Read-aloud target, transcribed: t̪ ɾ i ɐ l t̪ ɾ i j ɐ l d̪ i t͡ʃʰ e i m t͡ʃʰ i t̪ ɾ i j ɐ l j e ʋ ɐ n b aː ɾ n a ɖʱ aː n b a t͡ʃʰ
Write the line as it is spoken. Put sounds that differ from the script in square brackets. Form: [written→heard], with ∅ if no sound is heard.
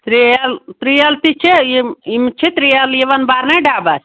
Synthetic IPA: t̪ ɾ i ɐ l t̪ ɾ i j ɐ l [d̪→t̪] i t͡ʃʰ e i m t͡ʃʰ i t̪ ɾ i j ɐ l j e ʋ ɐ n b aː ɾ n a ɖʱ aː [n→∅] b a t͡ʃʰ